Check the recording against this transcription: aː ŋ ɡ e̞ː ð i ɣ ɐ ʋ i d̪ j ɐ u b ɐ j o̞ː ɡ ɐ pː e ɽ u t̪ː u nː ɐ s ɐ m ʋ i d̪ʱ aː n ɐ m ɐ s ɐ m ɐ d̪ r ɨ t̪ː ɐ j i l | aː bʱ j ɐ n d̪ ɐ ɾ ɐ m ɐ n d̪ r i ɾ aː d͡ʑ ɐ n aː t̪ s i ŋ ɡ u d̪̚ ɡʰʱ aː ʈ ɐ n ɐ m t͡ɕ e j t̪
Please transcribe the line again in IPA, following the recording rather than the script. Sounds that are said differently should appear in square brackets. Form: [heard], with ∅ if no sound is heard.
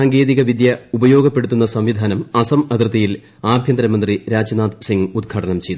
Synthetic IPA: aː ŋ ɡ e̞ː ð i ɣ ɐ ʋ i d̪ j ɐ u b ɐ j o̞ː ɡ ɐ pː e ɽ u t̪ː u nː ɐ s ɐ m ʋ i d̪ʱ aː n ɐ m ɐ s ɐ m ɐ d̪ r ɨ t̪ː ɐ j i l | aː bʱ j ɐ n d̪ ɐ ɾ ɐ m ɐ n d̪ r i ɾ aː d͡ʑ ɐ n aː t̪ s i ŋ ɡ u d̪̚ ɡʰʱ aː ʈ ɐ n ɐ m t͡ɕ e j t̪